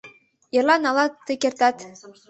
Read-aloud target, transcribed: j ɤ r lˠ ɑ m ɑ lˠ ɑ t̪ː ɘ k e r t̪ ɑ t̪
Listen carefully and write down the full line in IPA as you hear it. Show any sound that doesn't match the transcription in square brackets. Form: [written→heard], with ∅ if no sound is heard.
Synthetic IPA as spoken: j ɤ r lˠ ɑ [m→n] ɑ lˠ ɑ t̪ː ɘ k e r t̪ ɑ t̪